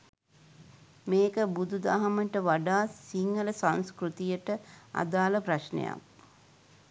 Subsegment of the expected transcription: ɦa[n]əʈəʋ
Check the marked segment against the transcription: incorrect: m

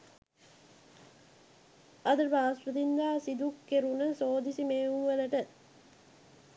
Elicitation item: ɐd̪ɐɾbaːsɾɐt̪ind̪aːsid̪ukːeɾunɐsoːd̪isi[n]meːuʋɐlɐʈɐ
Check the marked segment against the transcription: incorrect: none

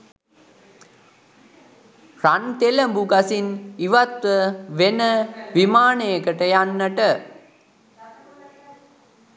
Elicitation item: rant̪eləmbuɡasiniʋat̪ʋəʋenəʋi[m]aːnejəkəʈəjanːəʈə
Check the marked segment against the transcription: correct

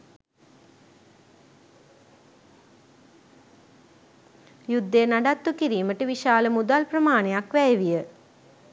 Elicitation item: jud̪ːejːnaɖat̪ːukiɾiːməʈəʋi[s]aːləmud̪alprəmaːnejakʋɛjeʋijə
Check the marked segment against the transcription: incorrect: ʃ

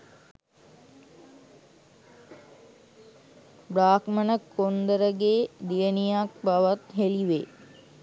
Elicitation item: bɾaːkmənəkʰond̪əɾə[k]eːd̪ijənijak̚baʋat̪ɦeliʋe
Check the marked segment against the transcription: incorrect: ɡ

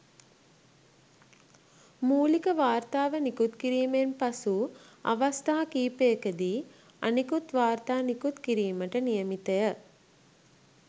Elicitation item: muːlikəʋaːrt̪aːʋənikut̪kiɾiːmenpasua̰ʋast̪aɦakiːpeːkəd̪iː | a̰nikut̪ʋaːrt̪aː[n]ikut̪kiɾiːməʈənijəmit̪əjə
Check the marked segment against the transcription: correct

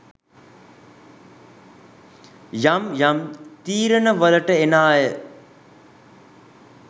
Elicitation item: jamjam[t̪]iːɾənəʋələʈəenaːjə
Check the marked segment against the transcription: correct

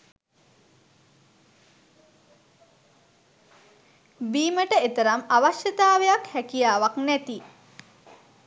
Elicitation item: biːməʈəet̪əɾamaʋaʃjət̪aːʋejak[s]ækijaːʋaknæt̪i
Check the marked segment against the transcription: incorrect: h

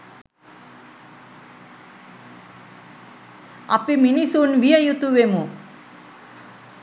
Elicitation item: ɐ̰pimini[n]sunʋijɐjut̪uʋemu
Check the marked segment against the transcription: incorrect: none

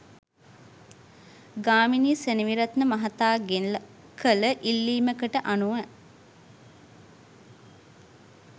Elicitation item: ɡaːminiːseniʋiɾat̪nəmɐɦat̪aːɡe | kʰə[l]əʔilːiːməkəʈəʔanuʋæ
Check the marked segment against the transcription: correct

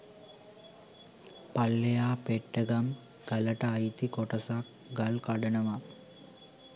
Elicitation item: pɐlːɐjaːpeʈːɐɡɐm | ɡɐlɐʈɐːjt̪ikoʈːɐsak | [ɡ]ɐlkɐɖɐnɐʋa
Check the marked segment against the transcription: correct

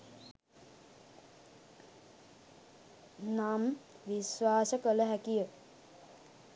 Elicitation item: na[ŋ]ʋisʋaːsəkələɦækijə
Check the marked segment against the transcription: incorrect: m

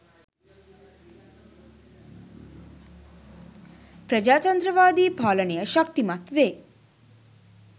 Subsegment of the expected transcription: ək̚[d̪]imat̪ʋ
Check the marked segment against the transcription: incorrect: t̪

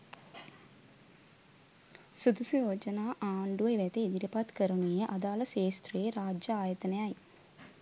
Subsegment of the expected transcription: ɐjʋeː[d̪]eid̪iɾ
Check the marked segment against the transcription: incorrect: t̪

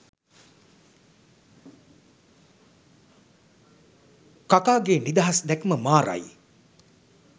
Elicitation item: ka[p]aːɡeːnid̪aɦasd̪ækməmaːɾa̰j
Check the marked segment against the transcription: incorrect: k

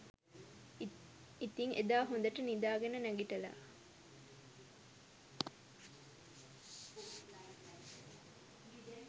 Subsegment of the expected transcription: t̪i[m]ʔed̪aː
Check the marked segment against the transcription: incorrect: ŋ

